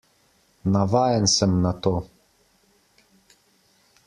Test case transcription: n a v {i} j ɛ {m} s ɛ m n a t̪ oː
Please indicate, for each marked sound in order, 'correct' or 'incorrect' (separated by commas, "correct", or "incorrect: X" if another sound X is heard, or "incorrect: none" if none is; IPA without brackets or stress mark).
incorrect: a, incorrect: n